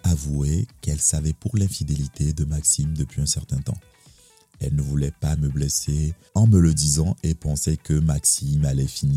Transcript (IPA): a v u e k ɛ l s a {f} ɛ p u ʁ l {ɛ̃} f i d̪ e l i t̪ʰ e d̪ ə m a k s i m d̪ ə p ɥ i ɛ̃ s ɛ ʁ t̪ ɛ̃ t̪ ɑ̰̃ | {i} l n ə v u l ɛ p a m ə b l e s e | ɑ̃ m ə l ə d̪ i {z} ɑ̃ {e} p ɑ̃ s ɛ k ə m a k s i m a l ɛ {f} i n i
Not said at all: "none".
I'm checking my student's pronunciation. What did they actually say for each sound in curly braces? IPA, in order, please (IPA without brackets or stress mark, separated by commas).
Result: v, ɛ̃, ɛ, z, e, f